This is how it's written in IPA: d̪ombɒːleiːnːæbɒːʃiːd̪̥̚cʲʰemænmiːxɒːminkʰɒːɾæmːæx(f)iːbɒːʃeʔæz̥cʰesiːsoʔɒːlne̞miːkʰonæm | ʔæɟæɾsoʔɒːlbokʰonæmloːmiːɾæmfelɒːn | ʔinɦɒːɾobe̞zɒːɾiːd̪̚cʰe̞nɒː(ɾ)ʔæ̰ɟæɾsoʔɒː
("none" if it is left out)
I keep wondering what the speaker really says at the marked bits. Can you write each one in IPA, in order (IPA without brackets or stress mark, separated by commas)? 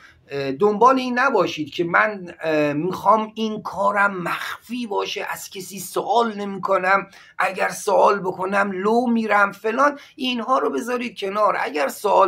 f, ɾ